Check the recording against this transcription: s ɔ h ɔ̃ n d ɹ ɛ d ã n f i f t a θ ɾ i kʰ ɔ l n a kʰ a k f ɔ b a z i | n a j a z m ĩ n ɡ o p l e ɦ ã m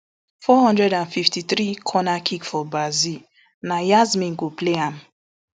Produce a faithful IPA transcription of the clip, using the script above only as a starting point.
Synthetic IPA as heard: f ɔ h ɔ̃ n d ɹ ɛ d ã n f i f t i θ ɾ i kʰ ɔ n a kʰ i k f ɔ b a z i | n a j a z m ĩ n ɡ o p l e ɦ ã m